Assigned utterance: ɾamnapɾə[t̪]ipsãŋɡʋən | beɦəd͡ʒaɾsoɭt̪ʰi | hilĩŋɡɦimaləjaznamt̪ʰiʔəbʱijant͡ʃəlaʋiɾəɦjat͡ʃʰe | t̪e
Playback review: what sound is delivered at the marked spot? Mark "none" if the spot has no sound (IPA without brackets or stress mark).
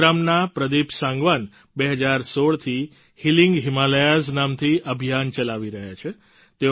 d̪